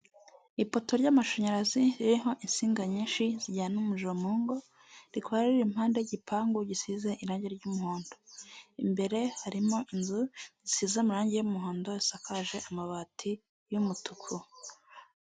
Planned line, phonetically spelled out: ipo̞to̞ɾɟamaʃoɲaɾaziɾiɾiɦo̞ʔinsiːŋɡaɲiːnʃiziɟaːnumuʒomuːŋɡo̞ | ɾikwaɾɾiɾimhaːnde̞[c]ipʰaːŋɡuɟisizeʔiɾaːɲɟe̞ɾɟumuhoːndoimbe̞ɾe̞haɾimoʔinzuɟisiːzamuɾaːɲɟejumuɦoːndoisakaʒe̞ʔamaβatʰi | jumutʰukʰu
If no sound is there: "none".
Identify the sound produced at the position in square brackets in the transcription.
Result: ɟ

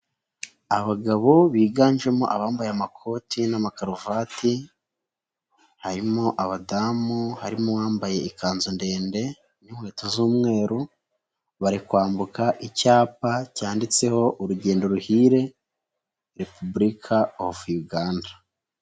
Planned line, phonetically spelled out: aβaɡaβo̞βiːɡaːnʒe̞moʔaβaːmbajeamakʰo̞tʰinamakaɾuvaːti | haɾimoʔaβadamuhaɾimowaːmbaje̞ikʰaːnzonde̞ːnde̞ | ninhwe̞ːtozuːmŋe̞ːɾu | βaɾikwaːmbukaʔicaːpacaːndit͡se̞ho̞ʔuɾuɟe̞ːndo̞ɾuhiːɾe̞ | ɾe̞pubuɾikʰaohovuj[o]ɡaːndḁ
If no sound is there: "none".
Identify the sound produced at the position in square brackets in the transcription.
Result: u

